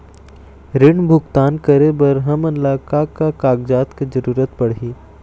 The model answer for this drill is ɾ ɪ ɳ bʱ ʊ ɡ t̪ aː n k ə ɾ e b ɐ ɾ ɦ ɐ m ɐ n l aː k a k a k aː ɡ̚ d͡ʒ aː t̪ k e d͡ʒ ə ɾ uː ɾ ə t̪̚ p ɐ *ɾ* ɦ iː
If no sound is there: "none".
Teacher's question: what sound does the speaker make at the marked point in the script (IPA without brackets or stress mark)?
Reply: ɽ